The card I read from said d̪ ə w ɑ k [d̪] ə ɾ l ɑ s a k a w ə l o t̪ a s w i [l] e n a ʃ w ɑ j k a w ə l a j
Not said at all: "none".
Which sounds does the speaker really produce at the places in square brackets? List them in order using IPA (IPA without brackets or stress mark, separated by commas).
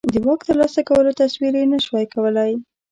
t̪, ɾ